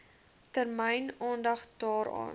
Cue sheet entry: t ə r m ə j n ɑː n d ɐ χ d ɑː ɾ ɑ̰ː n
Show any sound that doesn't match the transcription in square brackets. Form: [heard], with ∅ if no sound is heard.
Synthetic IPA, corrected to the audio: t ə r m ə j n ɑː n d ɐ χ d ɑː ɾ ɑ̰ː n